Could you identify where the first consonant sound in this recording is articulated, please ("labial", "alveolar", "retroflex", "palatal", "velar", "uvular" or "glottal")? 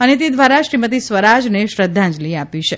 alveolar